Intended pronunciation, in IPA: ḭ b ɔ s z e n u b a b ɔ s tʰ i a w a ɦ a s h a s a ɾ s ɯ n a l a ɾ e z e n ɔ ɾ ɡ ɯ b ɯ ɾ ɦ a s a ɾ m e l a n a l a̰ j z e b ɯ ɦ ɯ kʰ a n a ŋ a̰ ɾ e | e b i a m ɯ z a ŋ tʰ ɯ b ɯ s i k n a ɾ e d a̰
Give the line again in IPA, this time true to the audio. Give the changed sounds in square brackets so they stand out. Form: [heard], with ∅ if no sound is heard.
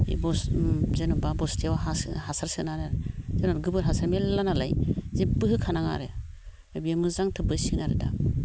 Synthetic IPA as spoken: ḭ b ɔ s z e n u b a b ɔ s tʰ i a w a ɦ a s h a s a ɾ s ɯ n a [ɾ] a ɾ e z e n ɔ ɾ ɡ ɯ b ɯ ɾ ɦ a s a ɾ m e l a n a l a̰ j z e b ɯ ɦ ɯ kʰ a n a ŋ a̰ ɾ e | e b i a m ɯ z a ŋ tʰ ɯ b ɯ s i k n a ɾ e d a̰